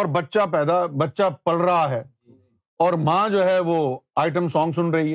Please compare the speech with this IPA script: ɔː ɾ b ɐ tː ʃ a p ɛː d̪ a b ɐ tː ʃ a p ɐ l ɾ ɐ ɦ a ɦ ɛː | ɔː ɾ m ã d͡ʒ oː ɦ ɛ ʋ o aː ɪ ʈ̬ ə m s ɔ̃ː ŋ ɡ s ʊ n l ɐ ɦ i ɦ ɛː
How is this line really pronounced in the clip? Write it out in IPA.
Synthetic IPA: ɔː ɾ b ɐ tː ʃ a p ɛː d̪ a b ɐ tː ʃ a p ɐ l ɾ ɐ ɦ a ɦ ɛː | ɔː ɾ m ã d͡ʒ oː ɦ ɛ ʋ o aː ɪ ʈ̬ ə m s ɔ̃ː ŋ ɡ s ʊ n ɾ ɐ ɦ i ɦ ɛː